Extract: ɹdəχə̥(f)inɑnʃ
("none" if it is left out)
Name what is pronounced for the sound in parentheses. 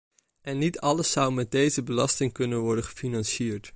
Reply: f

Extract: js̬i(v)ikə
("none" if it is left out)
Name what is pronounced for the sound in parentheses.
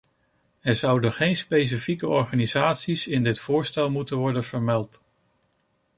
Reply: f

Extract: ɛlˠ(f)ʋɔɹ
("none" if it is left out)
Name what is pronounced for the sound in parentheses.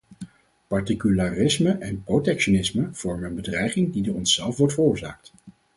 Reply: f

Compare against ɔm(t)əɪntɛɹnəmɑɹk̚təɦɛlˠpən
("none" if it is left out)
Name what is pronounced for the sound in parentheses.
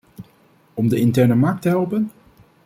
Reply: d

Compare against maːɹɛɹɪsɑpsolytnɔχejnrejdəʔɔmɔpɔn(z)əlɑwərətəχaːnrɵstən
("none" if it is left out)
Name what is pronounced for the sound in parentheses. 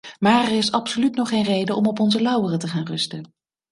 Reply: z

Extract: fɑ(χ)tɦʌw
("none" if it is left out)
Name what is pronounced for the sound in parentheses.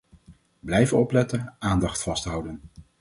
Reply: s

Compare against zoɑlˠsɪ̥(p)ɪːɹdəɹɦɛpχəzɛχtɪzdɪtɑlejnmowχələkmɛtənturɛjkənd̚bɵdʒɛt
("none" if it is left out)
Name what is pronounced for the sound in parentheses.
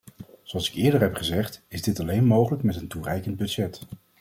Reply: k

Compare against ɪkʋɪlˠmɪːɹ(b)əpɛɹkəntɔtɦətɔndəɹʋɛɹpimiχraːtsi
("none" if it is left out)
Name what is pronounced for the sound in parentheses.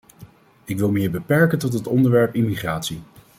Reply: b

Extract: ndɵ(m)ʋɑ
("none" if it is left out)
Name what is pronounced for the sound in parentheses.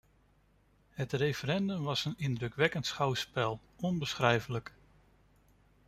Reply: m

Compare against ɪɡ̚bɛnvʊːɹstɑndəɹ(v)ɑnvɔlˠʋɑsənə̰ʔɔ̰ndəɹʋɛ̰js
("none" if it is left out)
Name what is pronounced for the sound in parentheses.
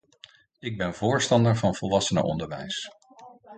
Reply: v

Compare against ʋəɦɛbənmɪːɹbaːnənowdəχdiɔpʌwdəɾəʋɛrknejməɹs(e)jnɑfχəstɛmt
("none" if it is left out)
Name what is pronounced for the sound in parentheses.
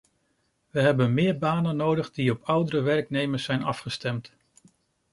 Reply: ɛ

